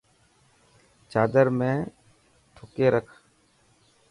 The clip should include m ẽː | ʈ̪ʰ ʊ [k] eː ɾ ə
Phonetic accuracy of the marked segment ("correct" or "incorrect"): correct